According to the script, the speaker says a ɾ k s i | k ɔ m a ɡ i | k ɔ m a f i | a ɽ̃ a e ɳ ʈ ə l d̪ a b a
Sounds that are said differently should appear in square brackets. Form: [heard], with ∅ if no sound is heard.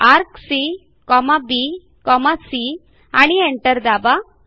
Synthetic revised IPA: a ɾ k s i | k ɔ m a [b] i | k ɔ m a [s] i | a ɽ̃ [i] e ɳ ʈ ə [ɾ] d̪ a b a